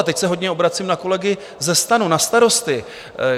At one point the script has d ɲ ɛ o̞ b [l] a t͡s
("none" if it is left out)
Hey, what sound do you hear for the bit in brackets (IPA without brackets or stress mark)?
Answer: ɾ